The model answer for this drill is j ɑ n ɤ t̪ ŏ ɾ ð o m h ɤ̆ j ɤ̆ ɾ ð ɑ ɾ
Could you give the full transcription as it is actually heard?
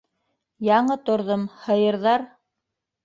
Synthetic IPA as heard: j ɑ ɴ ɤ t̪ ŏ ɾ ð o m h ɤ̆ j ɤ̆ ɾ ð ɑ ɾ